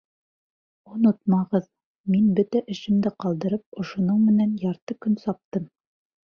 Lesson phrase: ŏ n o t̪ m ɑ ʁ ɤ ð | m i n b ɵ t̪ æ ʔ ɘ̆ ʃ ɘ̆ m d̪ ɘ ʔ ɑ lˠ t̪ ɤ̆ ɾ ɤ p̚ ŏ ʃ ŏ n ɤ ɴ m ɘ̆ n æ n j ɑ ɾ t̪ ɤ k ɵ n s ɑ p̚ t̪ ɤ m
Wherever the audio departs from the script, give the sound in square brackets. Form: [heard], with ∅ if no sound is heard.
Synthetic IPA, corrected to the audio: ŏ n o t̪ m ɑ ʁ ɤ ð | m i n b ɵ t̪ æ ʔ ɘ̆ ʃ ɘ̆ m d̪ ɘ [q] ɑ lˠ [d̪] ɤ̆ ɾ ɤ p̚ ŏ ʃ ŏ n ɤ ɴ m ɘ̆ n æ n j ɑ ɾ t̪ ɤ k ɵ n s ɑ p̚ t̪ ɤ m